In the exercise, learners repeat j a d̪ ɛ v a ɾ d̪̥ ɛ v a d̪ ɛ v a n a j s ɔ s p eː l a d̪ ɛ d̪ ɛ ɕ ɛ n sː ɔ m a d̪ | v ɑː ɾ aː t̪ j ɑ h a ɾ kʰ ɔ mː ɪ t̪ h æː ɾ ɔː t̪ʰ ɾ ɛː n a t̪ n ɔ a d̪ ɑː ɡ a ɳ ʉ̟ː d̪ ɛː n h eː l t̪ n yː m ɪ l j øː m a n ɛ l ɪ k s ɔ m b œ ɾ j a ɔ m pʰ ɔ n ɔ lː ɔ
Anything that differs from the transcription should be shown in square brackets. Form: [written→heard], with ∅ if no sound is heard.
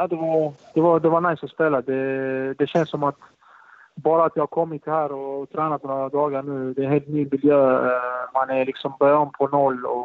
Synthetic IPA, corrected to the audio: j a d̪ ɛ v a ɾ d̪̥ ɛ v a d̪ ɛ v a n a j s ɔ s p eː l a d̪ ɛ d̪ ɛ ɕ ɛ n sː ɔ m a [d̪→t̪] | [v→b] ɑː ɾ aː t̪ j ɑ h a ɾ kʰ ɔ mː ɪ t̪ h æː ɾ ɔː t̪ʰ ɾ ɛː n a t̪ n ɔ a d̪ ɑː ɡ a ɳ ʉ̟ː d̪ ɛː n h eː l t̪ n yː m ɪ l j øː m a n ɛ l ɪ k s ɔ m b œ ɾ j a ɔ m pʰ ɔ n ɔ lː ɔ